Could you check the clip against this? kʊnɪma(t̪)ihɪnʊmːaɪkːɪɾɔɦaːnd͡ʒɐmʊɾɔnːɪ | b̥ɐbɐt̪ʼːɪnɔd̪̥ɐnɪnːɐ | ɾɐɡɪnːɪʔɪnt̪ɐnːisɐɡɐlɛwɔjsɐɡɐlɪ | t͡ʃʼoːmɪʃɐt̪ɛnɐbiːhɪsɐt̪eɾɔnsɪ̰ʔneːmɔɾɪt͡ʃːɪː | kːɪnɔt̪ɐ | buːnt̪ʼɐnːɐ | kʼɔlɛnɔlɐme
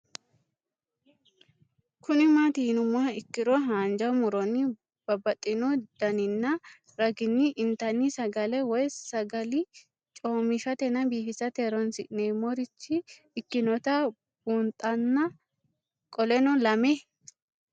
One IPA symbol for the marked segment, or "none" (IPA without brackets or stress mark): t̪